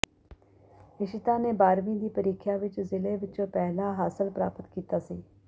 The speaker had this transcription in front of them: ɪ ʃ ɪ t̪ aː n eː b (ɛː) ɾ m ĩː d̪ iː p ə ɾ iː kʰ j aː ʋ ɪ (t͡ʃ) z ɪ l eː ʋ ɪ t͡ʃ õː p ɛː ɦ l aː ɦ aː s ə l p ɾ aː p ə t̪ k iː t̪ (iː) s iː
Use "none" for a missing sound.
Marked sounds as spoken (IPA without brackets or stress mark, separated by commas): aː, t͡ʃ, aː